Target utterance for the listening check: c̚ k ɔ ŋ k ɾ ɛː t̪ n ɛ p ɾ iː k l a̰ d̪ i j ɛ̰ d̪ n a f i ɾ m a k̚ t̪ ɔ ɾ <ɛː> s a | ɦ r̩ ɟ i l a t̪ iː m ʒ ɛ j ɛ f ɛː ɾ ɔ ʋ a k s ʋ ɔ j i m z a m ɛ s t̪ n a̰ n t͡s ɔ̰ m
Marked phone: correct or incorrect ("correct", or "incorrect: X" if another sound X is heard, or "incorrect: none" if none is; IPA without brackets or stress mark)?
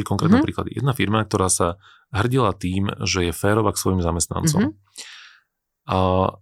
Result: incorrect: aː